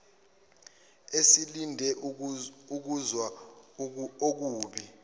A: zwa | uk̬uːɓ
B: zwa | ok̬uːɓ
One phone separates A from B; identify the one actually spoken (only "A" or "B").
B